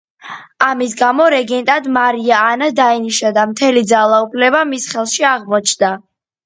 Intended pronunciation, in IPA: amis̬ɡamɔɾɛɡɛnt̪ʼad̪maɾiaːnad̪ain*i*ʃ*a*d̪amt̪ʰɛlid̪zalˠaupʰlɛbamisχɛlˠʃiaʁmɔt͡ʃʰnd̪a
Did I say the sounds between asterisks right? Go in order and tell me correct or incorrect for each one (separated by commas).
correct, correct